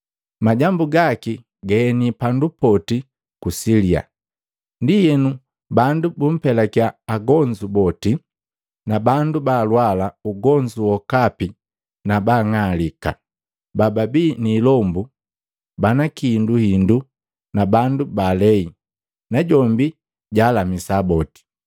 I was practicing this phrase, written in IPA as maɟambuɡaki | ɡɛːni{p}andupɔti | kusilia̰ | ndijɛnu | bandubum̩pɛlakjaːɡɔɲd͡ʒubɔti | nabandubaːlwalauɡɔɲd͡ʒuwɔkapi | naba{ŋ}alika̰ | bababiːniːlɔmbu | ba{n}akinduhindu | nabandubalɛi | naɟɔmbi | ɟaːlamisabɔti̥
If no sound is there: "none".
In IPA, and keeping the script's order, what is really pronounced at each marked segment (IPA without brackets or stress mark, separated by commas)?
p, ŋ, n